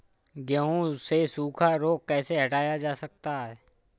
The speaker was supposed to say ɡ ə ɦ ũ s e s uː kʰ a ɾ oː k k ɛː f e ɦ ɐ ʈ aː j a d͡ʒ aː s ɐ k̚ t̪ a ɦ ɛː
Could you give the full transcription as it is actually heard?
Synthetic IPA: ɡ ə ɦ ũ s e s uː kʰ a ɾ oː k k ɛː s e ɦ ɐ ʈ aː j a d͡ʒ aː s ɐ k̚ t̪ a ɦ ɛː